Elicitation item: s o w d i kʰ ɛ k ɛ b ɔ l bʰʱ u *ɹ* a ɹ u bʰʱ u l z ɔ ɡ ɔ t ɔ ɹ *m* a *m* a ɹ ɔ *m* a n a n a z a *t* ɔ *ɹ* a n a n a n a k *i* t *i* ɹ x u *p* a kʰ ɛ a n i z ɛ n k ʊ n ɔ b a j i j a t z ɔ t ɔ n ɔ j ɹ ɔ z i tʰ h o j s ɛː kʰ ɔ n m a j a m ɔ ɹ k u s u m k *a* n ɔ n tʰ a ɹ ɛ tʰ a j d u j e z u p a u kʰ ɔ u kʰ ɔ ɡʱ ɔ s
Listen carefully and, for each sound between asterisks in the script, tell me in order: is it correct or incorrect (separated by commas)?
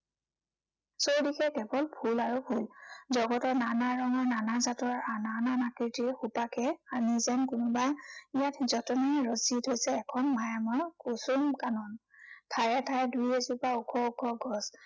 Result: incorrect, incorrect, incorrect, incorrect, correct, correct, correct, correct, correct, correct